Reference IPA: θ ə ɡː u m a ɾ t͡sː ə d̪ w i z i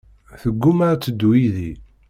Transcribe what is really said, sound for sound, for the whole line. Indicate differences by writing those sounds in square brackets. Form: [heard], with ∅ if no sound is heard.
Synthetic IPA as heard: θ ə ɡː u m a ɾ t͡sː ə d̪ w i [ð] i